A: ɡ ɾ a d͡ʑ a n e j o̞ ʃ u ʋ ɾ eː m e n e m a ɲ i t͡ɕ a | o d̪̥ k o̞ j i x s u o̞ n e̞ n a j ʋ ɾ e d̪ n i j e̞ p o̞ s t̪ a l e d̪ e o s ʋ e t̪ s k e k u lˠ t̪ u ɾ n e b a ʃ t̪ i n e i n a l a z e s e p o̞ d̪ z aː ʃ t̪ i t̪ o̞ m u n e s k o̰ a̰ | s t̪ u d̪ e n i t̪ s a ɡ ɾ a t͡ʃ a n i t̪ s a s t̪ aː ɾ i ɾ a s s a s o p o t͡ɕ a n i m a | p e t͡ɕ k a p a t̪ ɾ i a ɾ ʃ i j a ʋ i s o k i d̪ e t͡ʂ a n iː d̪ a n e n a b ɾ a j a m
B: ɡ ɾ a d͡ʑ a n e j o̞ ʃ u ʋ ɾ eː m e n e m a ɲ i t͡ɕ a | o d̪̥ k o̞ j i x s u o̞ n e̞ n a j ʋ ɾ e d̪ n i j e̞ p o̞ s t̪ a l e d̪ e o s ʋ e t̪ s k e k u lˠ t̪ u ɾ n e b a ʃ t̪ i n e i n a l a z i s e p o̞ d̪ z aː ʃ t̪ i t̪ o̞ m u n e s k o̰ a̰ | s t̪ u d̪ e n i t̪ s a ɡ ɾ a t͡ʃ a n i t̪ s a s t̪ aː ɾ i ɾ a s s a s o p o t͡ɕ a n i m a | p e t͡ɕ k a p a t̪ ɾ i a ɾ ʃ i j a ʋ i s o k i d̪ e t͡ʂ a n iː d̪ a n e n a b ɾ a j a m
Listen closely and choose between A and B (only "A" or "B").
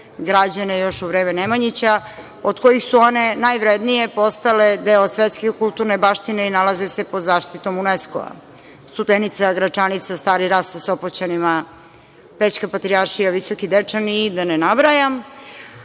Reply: A